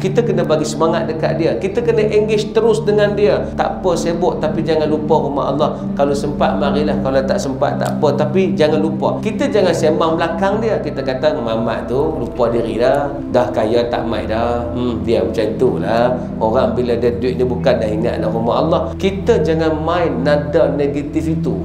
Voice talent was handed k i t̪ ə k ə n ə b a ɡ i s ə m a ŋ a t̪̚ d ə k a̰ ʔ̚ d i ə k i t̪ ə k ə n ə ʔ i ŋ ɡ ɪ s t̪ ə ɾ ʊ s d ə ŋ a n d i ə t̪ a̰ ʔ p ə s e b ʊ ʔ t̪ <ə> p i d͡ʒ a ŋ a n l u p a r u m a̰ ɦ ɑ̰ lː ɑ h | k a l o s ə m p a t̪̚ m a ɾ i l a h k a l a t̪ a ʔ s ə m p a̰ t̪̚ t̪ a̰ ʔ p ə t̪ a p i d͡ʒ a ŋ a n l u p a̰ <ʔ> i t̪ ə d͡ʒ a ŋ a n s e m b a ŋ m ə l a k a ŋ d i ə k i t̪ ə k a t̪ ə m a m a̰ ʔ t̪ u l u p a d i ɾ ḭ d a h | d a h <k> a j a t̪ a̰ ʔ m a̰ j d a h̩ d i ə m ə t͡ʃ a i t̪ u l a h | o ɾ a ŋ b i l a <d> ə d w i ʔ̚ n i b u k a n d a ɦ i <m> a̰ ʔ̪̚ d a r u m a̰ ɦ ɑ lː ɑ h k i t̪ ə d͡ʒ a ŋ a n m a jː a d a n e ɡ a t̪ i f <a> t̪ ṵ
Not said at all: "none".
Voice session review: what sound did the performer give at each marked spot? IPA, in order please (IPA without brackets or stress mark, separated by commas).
a, k, k, d, ŋ, i